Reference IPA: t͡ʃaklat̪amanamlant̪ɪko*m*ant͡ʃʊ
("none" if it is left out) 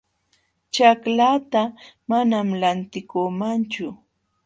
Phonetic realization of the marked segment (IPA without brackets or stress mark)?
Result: m